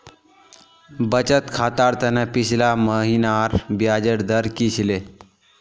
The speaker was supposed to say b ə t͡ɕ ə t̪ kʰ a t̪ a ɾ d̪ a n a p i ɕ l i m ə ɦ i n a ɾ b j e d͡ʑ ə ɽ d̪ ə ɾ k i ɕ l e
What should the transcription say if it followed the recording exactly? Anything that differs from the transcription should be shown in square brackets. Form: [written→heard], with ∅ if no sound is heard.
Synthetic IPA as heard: b ə t͡ɕ ə t̪ kʰ a t̪ a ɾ [d̪→t̪] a n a p i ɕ l [i→a] m ə ɦ i n a ɾ b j [e→a] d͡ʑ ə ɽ d̪ ə ɾ k i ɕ l e